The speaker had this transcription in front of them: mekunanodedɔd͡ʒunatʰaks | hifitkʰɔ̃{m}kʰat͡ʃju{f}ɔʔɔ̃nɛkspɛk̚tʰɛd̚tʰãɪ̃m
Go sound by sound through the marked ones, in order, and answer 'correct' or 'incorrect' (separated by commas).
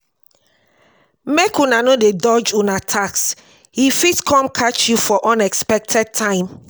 correct, correct